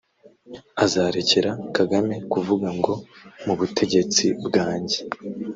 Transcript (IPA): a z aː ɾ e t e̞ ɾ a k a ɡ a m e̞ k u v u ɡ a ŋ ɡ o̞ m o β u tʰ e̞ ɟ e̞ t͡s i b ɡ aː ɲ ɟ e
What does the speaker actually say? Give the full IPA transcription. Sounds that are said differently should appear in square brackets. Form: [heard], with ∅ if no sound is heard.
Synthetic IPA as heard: a z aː ɾ e [c] e̞ ɾ a k a ɡ a m e̞ k u v u ɡ a ŋ ɡ o̞ m [u] β u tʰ e̞ ɟ e̞ t͡s i b ɡ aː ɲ ɟ e